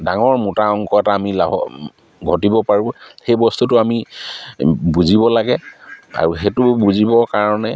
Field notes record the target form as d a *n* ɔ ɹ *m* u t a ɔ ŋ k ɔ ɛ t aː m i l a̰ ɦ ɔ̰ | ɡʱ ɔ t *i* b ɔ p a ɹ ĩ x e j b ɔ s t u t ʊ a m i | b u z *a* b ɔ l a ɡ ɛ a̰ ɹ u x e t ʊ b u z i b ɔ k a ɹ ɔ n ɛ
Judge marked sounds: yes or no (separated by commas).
no, yes, yes, no